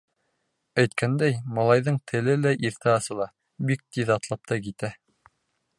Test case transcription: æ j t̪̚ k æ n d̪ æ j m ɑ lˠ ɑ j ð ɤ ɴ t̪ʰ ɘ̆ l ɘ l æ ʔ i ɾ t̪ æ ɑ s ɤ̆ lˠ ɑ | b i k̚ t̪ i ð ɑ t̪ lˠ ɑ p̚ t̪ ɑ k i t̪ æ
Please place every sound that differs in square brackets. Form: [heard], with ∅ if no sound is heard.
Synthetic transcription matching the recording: æ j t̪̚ k æ n d̪ æ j m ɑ lˠ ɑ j ð ɤ ɴ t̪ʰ ɘ̆ l ɘ l æ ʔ i ɾ t̪ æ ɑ s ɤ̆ lˠ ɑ | b i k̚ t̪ i ð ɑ t̪ lˠ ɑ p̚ t̪ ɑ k i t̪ æ